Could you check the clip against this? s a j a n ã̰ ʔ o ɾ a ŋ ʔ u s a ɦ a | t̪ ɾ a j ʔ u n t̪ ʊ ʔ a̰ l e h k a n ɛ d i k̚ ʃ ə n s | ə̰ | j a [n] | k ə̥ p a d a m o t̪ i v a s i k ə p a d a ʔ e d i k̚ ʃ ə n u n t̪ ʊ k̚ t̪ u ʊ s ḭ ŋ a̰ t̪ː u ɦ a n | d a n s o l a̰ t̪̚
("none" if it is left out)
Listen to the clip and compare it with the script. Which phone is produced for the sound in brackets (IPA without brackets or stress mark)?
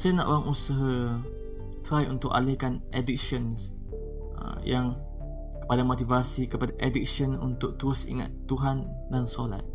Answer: ŋ